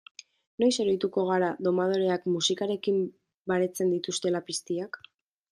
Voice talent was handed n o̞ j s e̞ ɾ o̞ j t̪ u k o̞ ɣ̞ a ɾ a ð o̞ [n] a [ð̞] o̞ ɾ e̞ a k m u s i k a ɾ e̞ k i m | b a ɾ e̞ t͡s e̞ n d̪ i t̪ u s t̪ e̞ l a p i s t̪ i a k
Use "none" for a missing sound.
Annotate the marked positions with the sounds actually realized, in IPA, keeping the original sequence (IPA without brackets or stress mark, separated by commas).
m, ð̞